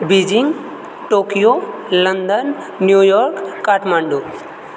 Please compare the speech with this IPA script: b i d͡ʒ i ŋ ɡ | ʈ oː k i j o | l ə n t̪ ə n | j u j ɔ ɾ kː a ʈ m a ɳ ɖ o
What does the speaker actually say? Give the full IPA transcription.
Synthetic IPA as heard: b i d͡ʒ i ŋ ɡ | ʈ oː k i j o | l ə n d̪ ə nː | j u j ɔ ɾ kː a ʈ m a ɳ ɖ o